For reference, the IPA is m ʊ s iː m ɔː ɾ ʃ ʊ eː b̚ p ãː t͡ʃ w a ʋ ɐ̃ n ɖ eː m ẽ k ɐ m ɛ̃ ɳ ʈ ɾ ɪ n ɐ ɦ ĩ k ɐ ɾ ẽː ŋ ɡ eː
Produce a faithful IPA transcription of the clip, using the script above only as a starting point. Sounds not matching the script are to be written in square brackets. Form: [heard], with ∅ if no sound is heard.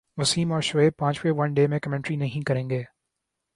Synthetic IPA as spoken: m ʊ s iː m ɔː ɾ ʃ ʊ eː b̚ p ãː t͡ʃ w [e] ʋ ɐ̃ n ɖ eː m ẽ k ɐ m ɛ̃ ɳ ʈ ɾ [i] n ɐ ɦ ĩ k ɐ ɾ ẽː ŋ ɡ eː